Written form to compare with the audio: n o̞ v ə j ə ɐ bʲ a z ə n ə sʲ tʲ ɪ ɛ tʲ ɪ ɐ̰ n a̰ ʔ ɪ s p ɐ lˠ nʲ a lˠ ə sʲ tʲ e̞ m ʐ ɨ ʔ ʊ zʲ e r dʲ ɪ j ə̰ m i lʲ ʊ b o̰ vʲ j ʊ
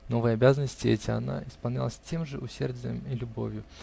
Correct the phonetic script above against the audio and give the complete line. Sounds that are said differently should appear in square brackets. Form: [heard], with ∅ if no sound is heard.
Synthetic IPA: n o̞ v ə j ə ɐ bʲ a z ə n ə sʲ tʲ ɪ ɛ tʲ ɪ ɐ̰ n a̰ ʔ ɪ s p ɐ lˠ nʲ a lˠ ə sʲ tʲ e̞ m ʐ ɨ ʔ ʊ [sʲ] e r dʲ ɪ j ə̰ m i lʲ ʊ b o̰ vʲ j ʊ

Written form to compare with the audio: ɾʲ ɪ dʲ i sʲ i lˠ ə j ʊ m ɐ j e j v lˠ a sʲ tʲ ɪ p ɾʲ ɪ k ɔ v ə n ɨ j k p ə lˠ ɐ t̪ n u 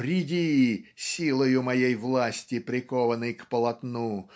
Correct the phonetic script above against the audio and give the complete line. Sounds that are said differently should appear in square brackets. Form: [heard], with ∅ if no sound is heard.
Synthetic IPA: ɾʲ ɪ dʲ i sʲ i lˠ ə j ʊ m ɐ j e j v lˠ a sʲ tʲ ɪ p ɾʲ ɪ k ɔ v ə n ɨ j k p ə lˠ ɐ t̪ n u

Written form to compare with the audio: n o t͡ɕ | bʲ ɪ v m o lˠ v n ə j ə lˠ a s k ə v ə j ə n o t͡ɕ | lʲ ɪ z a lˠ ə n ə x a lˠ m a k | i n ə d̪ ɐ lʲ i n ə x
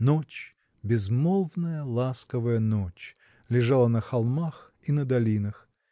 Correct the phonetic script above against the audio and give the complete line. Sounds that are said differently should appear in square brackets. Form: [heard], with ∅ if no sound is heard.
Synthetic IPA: n o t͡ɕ | bʲ ɪ [z] m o lˠ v n ə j ə lˠ a s k ə v ə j ə n o t͡ɕ | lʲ ɪ [ʐ] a lˠ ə n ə x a lˠ m a [x] | i n ə d̪ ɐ lʲ i n ə x

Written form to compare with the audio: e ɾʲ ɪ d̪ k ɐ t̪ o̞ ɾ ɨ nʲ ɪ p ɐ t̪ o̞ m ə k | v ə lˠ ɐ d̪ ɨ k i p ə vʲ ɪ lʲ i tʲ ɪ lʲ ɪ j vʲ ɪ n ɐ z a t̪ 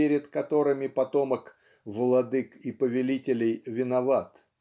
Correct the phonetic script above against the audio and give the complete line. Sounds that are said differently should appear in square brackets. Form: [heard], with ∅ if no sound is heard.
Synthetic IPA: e ɾʲ ɪ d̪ k ɐ t̪ o̞ ɾ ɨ [mʲ] ɪ p ɐ t̪ o̞ m ə k | v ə lˠ ɐ d̪ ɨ k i p ə vʲ ɪ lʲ i tʲ ɪ lʲ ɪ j vʲ ɪ n ɐ [v] a t̪

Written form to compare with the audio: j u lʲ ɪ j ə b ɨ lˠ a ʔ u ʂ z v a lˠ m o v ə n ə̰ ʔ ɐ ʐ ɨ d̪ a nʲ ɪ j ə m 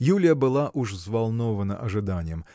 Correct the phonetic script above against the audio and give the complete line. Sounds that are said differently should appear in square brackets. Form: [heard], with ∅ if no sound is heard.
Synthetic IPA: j u lʲ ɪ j ə b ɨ lˠ a ʔ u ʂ z v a lˠ [n] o v ə n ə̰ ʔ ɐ ʐ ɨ d̪ a nʲ ɪ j ə m

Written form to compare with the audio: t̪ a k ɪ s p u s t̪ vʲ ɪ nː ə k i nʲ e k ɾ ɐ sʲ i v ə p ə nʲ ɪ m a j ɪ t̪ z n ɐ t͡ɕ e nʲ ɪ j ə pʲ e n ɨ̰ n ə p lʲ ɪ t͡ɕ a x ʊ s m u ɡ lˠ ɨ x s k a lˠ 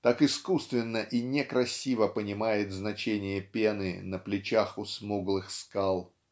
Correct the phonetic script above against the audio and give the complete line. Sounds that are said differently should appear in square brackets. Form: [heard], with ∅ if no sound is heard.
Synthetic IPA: t̪ a k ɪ s [k] u s t̪ vʲ ɪ nː ə [ʔ] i nʲ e k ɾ ɐ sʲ i v ə p ə nʲ ɪ m a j ɪ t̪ z n ɐ t͡ɕ e nʲ ɪ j ə pʲ e n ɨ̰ n ə p lʲ ɪ t͡ɕ a x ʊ s m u ɡ lˠ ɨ x s k a lˠ

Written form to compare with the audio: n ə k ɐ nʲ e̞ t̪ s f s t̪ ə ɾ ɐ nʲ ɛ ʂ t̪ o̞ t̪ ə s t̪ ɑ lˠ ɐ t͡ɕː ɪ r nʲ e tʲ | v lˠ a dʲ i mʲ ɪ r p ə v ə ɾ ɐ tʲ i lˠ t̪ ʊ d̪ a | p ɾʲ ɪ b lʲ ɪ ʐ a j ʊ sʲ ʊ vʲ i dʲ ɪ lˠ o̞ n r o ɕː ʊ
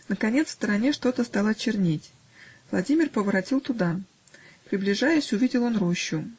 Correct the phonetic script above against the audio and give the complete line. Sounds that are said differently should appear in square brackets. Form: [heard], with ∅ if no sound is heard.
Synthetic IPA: n ə k ɐ nʲ e̞ t̪ s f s t̪ ə ɾ ɐ nʲ [e] ʂ t̪ o̞ t̪ ə s t̪ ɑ lˠ ɐ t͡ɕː ɪ r nʲ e tʲ | v lˠ [ɐ] dʲ i mʲ ɪ r p ə v ə ɾ ɐ tʲ i lˠ t̪ ʊ d̪ a | p ɾʲ ɪ b lʲ ɪ ʐ a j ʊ sʲ ʊ vʲ i dʲ ɪ lˠ o̞ n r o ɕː ʊ

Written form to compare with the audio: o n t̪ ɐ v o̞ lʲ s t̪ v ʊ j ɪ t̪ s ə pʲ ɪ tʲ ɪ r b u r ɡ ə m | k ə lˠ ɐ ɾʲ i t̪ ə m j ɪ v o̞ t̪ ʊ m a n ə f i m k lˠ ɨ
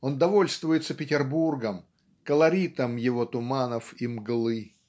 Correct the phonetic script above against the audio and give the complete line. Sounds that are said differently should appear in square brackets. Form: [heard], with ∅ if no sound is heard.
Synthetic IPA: o n [d̪] ɐ v o̞ lʲ s t̪ v ʊ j ɪ t̪ s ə pʲ ɪ tʲ ɪ r b u r ɡ ə m | k ə lˠ ɐ ɾʲ i t̪ ə m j ɪ v o̞ t̪ ʊ m a n ə f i m [ɡ] lˠ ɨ

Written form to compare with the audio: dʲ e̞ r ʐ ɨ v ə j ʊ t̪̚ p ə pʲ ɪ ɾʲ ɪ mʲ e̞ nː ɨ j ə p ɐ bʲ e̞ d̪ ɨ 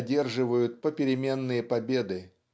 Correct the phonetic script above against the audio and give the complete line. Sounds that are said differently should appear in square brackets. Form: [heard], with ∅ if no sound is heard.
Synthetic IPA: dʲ e̞ r ʐ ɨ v ə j ʊ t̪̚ p ə pʲ ɪ ɾʲ ɪ mʲ e̞ nː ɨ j ə p ɐ bʲ e̞ d̪ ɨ

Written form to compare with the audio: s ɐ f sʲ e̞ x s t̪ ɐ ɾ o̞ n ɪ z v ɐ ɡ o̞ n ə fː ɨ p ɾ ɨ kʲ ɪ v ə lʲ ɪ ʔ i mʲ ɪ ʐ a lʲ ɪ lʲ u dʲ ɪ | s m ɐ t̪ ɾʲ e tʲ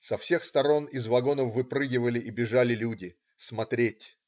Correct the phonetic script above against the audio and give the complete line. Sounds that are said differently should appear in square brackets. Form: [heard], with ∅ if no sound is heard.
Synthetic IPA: s ɐ f sʲ e̞ x s t̪ ɐ ɾ o̞ n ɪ z v ɐ ɡ o̞ n ə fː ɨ p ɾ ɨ [ɡʲ] ɪ v ə lʲ ɪ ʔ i [bʲ] ɪ ʐ a lʲ ɪ lʲ u dʲ ɪ | s m ɐ t̪ ɾʲ e tʲ

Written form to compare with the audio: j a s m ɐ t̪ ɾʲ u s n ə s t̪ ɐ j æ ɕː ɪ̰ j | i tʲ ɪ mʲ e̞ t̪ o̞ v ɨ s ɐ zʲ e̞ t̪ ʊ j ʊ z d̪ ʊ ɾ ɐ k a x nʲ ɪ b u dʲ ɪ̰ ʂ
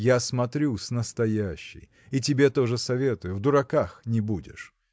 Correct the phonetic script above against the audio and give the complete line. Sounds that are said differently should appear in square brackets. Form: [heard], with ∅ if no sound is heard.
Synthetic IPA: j a s m ɐ t̪ ɾʲ u s n ə s t̪ ɐ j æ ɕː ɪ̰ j | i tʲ ɪ [bʲ] e̞ t̪ o̞ [ʐ] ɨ s ɐ [vʲ] e̞ t̪ ʊ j ʊ [v] d̪ ʊ ɾ ɐ k a x nʲ ɪ b u dʲ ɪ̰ ʂ

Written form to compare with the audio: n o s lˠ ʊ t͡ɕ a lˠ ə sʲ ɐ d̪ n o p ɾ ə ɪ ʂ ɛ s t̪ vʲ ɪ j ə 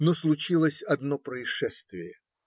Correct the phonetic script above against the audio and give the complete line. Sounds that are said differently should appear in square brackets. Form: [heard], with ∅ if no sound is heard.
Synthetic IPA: n o s lˠ ʊ t͡ɕ [i] lˠ ə sʲ ɐ d̪ n o p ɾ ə ɪ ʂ ɛ s t̪ vʲ ɪ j ə

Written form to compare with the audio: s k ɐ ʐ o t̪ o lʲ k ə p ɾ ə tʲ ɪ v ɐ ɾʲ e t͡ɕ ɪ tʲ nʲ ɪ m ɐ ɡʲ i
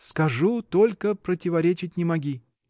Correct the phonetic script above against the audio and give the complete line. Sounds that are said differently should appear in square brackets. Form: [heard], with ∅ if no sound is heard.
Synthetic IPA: s k ɐ ʐ [u] t̪ o lʲ k ə p ɾ ə tʲ ɪ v ɐ ɾʲ e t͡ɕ ɪ tʲ nʲ ɪ m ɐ ɡʲ i

